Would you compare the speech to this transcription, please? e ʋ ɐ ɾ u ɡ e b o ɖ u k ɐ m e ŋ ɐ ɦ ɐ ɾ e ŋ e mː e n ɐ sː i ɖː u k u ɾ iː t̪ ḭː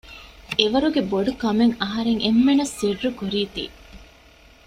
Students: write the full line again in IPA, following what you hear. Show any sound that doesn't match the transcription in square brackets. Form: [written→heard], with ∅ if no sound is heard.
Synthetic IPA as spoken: e ʋ ɐ ɾ u ɡ e b o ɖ u k ɐ m e ŋ ɐ ɦ ɐ ɾ e ŋ e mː e n ɐ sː i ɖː u k u ɾ iː t̪ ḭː

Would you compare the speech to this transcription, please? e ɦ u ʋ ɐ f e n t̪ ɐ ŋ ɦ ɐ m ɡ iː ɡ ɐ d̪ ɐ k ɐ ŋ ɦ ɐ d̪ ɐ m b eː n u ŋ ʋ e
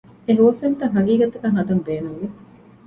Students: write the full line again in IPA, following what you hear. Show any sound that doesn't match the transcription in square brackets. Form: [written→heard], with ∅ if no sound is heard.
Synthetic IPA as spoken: e ɦ u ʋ ɐ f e n t̪ ɐ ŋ ɦ ɐ [m→∅] ɡ iː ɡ ɐ [d̪→t̪] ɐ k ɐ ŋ ɦ ɐ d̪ ɐ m b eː n u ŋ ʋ e

